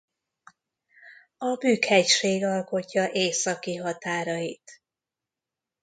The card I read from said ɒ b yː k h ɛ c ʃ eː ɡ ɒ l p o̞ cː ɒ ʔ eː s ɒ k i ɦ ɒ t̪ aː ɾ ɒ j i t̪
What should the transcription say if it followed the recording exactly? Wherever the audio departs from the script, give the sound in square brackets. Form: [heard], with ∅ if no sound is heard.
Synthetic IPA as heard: ɒ b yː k h ɛ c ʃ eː ɡ ɒ l [k] o̞ cː ɒ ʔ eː s ɒ k i ɦ ɒ t̪ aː ɾ ɒ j i t̪